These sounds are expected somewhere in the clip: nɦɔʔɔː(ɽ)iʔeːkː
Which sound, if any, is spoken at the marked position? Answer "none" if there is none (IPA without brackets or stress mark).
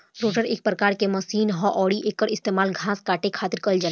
ɽ